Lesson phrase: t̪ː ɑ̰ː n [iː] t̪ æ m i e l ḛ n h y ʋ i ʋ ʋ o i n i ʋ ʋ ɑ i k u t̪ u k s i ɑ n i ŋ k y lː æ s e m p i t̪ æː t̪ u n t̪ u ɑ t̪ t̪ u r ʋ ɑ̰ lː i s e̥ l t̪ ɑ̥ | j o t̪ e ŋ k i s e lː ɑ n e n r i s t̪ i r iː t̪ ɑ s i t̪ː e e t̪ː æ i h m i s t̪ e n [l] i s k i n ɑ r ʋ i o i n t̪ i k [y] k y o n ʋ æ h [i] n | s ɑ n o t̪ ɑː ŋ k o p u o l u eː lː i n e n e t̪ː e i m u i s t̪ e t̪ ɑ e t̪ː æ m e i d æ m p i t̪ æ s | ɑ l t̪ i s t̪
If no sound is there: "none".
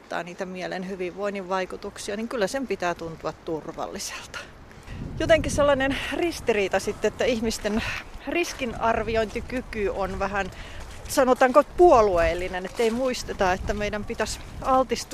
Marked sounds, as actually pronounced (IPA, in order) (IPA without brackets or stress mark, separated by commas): iː, r, y, æ